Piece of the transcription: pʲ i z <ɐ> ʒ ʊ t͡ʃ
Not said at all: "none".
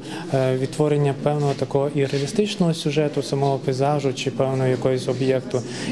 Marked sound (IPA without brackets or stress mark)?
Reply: ɑ